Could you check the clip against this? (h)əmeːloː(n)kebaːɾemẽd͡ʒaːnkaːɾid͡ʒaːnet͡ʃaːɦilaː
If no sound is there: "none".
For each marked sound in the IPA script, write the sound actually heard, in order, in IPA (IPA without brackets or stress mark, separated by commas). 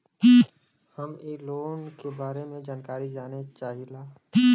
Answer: h, n